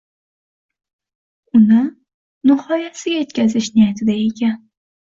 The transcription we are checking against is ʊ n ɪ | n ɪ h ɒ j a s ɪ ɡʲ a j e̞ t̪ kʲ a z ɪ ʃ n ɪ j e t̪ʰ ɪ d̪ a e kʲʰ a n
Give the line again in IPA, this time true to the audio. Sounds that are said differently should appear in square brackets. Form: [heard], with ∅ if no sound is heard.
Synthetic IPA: ʊ n ɪ | n ɪ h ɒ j a s ɪ ɡʲ a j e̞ t̪ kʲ a z ɪ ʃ n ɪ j [a] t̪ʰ ɪ d̪ a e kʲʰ a n